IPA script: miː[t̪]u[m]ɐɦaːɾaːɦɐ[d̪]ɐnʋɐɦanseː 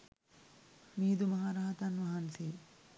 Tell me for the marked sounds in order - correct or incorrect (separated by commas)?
incorrect, correct, incorrect